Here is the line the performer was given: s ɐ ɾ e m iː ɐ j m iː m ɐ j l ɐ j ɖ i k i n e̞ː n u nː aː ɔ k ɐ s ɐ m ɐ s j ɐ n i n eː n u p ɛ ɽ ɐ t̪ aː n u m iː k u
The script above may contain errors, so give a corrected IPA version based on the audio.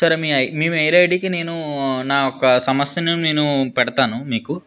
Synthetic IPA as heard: s ɐ ɾ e m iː ɐ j m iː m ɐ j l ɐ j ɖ i k i n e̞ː n u n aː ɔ k ɐ s ɐ m ɐ s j ɐ n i n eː n u p ɛ ɽ ɐ t̪ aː n u m iː k u